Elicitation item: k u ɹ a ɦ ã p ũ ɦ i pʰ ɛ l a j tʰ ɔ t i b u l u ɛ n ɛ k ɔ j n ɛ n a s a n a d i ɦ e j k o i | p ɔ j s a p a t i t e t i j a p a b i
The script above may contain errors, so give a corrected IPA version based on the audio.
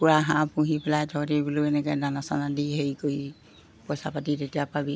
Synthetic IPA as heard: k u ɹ a ɦ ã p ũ ɦ i p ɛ l a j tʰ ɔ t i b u l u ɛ n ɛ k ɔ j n a n a s a n a d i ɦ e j k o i | p ɔ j s a p a t i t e t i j a p a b i